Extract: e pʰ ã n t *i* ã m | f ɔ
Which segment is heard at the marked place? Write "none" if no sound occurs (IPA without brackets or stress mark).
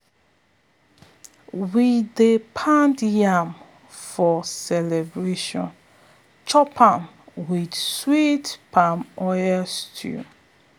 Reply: j